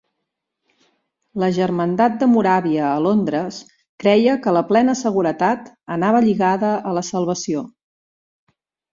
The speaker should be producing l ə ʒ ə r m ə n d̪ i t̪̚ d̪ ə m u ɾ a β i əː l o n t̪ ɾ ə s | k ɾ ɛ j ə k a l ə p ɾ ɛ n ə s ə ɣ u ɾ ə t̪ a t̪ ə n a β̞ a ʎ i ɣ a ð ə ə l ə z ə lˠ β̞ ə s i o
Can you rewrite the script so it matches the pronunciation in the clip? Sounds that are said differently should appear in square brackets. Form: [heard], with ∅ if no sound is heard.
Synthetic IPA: l ə ʒ ə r m ə n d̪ [a] t̪̚ d̪ ə m u ɾ a β i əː l o n [d̪] ɾ ə s | k ɾ ɛ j ə k [ə] l ə p [l] ɛ n ə s ə ɣ u ɾ ə t̪ a t̪ ə n a β̞ [ə] ʎ i ɣ a ð ə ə l ə [s] ə lˠ β̞ ə s i o